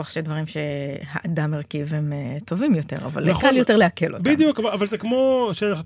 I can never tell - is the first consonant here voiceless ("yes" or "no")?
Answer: yes